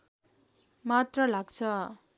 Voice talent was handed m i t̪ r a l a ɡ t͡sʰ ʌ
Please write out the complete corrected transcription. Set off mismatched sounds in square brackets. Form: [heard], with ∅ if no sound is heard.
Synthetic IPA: m [a] t̪ r [ʌ] l a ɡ t͡sʰ ʌ

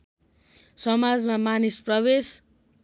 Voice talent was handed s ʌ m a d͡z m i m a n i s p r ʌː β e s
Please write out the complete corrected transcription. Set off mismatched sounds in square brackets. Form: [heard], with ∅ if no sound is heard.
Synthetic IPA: s ʌ m a d͡z m [a] m a n i s p r [ʌ] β e s

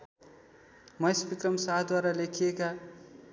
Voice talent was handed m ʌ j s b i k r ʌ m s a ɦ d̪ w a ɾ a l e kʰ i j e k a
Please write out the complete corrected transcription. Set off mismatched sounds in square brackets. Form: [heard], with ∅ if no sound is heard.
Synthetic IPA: m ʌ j s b i k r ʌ m s a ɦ d̪ w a ɾ a l e kʰ i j e k a

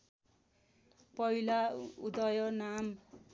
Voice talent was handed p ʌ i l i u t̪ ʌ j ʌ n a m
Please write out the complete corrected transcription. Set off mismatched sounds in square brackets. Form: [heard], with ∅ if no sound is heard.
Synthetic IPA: p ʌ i l [a] u [d̪] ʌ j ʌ n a m

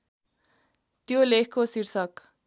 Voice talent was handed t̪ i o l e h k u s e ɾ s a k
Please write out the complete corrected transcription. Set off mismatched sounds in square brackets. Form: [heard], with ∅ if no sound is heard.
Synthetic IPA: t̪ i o l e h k [o] s [i] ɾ s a k

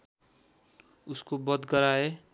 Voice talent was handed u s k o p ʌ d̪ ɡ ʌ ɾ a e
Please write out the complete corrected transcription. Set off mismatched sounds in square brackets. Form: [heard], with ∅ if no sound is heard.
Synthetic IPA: u s k o [b] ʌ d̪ ɡ ʌ ɾ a e

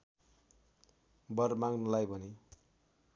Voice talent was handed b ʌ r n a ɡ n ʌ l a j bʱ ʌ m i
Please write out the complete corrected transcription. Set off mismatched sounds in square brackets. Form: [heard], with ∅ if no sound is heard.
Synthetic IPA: b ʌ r [m] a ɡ n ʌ l a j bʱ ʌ [n] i

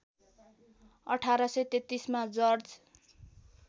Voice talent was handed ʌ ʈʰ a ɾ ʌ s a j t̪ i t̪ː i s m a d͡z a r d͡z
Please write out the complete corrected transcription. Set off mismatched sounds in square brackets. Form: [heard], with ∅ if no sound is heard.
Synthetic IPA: ʌ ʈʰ a ɾ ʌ s [ʌ] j t̪ [e] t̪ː i s m a d͡z [ʌ] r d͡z

